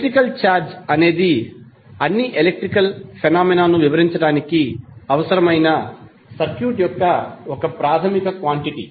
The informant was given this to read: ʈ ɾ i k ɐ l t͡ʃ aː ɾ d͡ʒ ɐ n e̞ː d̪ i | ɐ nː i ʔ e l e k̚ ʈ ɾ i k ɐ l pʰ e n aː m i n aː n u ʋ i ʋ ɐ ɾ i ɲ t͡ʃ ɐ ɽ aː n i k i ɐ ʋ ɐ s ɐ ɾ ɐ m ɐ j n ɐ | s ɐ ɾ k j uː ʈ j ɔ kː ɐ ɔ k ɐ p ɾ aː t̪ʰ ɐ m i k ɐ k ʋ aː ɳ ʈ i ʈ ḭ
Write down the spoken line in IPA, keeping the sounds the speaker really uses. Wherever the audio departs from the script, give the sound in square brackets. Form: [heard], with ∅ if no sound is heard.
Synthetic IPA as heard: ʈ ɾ i k ɐ l t͡ʃ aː ɾ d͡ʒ ɐ n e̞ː d̪ i | ɐ nː i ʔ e l e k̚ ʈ ɾ i k ɐ l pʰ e n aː m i n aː n u ʋ i ʋ ɐ ɾ i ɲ t͡ʃ ɐ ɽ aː n i k i ɐ ʋ ɐ s ɐ ɾ ɐ m ɐ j n ɐ | s ɐ ɾ k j uː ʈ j ɔ kː ɐ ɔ k ɐ p ɾ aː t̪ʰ ɐ m i k ɐ k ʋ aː ɳ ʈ i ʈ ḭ